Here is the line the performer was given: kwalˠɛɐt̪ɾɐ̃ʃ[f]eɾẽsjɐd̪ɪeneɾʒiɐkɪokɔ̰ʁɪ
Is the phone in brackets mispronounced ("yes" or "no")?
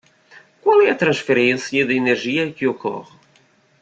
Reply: no